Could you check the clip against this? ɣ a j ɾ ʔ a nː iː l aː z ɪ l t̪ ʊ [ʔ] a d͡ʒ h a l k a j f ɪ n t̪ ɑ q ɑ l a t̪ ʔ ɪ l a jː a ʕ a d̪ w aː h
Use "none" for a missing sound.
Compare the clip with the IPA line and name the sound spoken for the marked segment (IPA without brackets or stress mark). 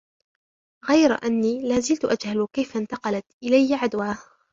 ʔ